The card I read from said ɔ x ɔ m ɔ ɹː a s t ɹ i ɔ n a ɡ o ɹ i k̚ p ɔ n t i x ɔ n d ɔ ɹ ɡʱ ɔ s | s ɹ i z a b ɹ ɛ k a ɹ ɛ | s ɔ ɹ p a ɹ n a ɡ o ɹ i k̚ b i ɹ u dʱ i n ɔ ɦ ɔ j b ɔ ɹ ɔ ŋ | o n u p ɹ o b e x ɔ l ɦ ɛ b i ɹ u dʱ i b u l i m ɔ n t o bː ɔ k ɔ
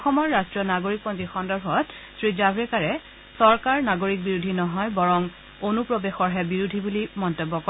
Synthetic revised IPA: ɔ x ɔ m ɔ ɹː a s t ɹ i ɔ n a ɡ o ɹ i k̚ p ɔ n t i x ɔ n d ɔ ɹ bʱ ɔ t | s ɹ i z a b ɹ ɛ k a ɹ ɛ | s ɔ ɹ k a ɹ n a ɡ o ɹ i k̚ b i ɹ u dʱ i n ɔ ɦ ɔ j b ɔ ɹ ɔ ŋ | o n u p ɹ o b e x ɔ ɹ ɦ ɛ b i ɹ u dʱ i b u l i m ɔ n t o bː ɔ k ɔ